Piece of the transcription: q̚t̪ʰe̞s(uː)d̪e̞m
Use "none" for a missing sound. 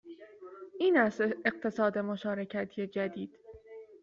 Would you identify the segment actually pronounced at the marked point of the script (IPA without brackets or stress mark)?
ɒː